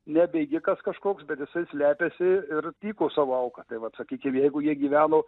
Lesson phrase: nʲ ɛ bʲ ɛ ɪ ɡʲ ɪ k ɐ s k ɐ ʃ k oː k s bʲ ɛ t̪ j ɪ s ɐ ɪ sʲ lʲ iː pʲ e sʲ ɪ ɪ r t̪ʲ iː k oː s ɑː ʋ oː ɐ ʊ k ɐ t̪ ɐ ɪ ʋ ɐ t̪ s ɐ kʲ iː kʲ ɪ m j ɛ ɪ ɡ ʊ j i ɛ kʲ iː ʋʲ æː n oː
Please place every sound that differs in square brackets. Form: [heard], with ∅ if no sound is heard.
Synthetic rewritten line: nʲ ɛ bʲ ɛ ɪ ɡʲ ɪ k ɐ s k ɐ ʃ k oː k s bʲ ɛ t̪ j ɪ s ɐ ɪ sʲ lʲ [æː] pʲ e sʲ ɪ ɪ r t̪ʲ iː k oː s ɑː ʋ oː ɐ ʊ k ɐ t̪ ɐ ɪ ʋ ɐ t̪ s ɐ kʲ iː kʲ ɪ m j ɛ ɪ ɡ ʊ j i ɛ [ɡʲ] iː ʋʲ æː n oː

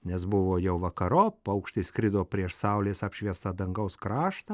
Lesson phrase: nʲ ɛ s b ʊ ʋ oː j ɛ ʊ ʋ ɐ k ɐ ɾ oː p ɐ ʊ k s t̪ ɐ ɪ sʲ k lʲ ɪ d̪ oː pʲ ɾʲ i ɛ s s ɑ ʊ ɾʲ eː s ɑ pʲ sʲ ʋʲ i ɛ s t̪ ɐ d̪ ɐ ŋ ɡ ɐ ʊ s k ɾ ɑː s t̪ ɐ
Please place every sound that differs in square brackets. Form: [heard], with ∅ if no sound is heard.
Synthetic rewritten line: nʲ ɛ s b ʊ ʋ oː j ɛ ʊ ʋ ɐ k ɐ ɾ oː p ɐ ʊ k [ʃ] t̪ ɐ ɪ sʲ k [ɾʲ] ɪ d̪ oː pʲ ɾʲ i ɛ [ʃ] s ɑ ʊ [lʲ] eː s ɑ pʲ [ʃʲ] ʋʲ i ɛ s t̪ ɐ d̪ ɐ ŋ ɡ ɐ ʊ s k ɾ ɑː [ʃ] t̪ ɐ

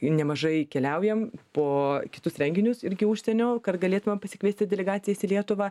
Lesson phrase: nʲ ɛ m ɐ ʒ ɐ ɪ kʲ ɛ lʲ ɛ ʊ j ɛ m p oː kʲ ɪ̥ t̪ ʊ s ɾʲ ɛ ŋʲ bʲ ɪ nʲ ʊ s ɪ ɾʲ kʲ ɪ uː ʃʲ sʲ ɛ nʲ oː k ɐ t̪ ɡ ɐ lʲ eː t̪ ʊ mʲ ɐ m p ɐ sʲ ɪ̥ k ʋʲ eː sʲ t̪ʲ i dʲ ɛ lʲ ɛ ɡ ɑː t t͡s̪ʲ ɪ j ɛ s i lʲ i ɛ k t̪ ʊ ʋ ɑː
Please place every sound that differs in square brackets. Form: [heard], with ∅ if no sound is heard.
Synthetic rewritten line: nʲ ɛ m ɐ ʒ ɐ ɪ kʲ ɛ lʲ ɛ ʊ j ɛ m p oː kʲ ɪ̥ t̪ ʊ s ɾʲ ɛ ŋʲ [ɡʲ] ɪ nʲ ʊ s ɪ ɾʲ [ɡʲ] ɪ uː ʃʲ sʲ ɛ nʲ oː k ɐ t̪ ɡ ɐ lʲ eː t̪ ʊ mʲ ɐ m p ɐ sʲ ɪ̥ k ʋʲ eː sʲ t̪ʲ [ɪ] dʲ ɛ lʲ ɛ ɡ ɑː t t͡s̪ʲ ɪ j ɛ s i lʲ i ɛ [∅] t̪ ʊ ʋ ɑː

